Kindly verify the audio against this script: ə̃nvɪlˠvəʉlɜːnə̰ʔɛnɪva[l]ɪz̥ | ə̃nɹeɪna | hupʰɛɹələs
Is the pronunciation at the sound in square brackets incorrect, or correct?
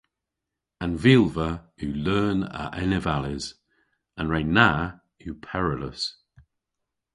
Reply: correct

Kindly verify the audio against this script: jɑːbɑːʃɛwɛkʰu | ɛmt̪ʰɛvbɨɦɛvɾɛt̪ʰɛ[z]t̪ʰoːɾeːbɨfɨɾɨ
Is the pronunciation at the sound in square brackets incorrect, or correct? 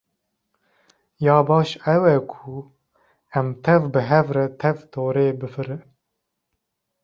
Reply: incorrect: v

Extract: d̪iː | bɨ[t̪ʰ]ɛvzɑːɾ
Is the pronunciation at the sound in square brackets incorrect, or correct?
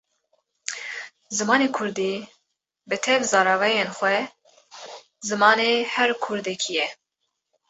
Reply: correct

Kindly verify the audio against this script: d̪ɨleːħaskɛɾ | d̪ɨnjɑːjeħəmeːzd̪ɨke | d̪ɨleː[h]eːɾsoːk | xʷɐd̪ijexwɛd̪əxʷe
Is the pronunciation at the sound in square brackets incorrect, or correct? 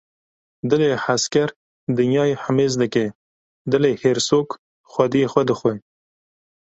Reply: correct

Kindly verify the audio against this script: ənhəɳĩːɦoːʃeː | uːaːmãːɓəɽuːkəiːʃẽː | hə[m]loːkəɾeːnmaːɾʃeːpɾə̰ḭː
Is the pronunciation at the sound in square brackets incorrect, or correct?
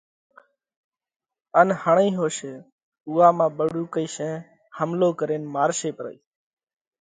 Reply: correct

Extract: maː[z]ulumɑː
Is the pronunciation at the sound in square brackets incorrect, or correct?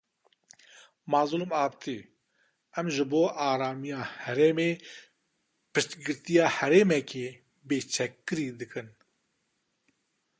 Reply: correct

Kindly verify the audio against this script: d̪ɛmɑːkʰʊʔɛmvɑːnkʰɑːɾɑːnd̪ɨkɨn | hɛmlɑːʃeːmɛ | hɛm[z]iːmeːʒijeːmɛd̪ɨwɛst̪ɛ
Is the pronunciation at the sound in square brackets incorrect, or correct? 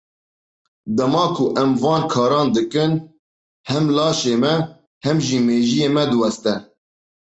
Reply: incorrect: ʒ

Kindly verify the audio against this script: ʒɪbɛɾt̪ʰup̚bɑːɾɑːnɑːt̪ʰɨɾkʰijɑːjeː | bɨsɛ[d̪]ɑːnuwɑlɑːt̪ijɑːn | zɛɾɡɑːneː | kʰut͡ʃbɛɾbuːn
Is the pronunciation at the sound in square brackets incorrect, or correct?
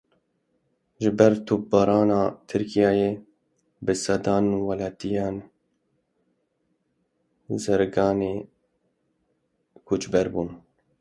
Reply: correct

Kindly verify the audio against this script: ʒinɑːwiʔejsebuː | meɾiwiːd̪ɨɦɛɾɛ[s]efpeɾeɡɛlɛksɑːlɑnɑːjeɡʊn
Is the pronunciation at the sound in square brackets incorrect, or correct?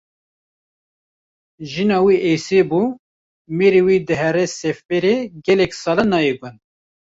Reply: correct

